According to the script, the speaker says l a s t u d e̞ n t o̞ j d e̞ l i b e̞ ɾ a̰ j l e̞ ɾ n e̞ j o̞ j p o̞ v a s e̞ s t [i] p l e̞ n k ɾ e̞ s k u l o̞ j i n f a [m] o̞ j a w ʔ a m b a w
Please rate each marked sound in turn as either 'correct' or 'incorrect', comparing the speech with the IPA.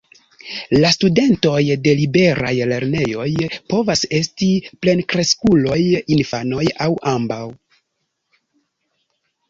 correct, incorrect: n

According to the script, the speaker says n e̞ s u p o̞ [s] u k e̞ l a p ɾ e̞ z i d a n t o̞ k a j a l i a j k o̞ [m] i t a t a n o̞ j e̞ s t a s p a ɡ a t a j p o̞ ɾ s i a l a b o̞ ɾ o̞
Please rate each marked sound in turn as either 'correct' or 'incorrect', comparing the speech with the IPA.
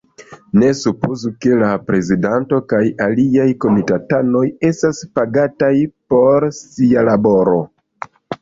incorrect: z, correct

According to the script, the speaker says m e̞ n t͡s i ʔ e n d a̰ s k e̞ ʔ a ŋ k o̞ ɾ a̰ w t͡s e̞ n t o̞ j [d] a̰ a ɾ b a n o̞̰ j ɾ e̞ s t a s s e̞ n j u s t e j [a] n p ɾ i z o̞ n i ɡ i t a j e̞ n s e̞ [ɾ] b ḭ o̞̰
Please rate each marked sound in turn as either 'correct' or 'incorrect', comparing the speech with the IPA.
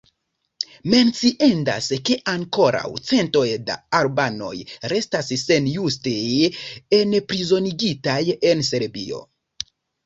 correct, incorrect: e, correct

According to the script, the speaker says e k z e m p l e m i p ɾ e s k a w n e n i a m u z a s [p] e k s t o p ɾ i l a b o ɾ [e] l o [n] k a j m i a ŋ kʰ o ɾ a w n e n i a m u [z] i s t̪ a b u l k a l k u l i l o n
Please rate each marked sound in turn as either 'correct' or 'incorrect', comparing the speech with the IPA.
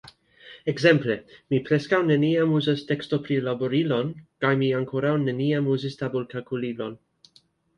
incorrect: t, incorrect: i, correct, correct

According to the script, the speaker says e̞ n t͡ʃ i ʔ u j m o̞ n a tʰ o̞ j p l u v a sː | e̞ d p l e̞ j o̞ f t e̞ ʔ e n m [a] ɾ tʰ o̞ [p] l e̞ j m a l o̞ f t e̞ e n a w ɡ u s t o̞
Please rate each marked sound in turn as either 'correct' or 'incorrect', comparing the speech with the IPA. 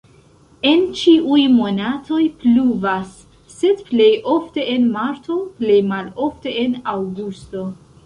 correct, correct

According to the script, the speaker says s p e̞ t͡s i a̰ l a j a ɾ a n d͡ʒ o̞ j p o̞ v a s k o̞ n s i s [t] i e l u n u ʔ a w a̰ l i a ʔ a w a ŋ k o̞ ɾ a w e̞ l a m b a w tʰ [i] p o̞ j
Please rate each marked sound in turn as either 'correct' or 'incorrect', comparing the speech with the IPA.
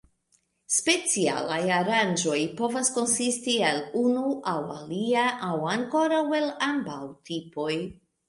correct, correct

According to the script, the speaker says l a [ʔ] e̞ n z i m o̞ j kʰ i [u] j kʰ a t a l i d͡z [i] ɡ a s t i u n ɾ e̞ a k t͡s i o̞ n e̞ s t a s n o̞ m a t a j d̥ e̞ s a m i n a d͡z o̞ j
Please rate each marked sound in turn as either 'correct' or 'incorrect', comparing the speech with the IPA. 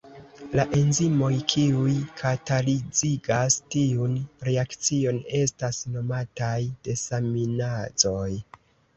correct, correct, correct

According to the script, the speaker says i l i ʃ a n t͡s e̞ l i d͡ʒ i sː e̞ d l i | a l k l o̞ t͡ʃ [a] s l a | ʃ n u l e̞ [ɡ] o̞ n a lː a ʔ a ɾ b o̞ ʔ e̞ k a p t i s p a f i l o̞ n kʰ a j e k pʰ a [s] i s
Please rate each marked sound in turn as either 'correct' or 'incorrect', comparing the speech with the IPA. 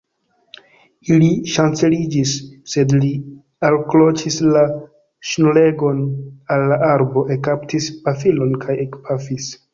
incorrect: i, correct, incorrect: f

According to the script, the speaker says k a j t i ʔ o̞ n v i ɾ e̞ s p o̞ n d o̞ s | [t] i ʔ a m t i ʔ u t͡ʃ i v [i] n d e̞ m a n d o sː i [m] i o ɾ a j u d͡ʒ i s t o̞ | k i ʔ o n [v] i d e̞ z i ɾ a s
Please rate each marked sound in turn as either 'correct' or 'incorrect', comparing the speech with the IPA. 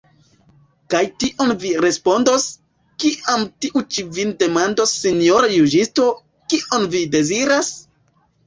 incorrect: k, correct, incorrect: n, correct

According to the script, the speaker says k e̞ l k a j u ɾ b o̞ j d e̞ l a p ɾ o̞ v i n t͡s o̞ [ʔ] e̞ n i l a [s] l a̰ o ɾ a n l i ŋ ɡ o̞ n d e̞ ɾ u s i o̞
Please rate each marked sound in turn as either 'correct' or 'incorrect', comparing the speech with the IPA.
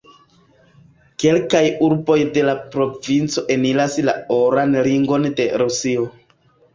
correct, correct

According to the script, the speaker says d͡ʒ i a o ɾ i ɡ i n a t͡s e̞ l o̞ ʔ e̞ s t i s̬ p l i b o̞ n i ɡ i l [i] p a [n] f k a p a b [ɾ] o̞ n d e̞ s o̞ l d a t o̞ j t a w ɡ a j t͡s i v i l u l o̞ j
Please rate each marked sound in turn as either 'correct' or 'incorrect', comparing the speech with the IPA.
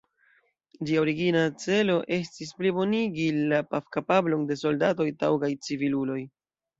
incorrect: a, incorrect: none, incorrect: l

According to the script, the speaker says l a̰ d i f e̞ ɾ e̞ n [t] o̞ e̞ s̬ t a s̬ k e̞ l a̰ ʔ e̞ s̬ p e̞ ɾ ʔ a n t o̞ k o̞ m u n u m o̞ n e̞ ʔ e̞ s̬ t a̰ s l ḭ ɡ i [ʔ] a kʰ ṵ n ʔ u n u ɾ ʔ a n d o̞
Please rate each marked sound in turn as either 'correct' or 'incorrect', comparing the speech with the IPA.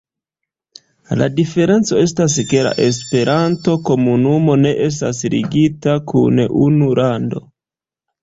incorrect: t͡s, incorrect: t

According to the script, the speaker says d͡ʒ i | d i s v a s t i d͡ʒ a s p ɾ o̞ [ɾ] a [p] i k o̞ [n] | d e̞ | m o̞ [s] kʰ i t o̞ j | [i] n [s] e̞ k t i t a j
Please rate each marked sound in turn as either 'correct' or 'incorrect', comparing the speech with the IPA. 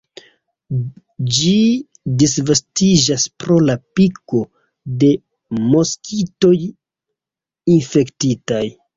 incorrect: l, correct, incorrect: none, correct, correct, incorrect: f

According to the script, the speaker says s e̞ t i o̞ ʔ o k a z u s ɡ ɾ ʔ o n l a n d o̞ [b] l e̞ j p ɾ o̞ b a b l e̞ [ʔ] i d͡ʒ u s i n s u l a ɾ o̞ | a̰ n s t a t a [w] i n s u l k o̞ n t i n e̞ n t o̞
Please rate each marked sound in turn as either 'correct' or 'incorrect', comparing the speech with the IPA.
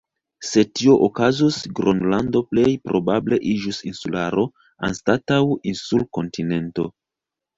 incorrect: p, correct, correct

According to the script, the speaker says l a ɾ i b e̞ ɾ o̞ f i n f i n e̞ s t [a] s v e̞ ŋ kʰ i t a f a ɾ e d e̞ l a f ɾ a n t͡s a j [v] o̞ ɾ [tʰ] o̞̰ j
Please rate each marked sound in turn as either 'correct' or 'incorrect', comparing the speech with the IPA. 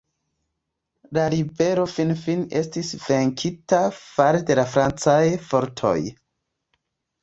incorrect: i, incorrect: f, correct

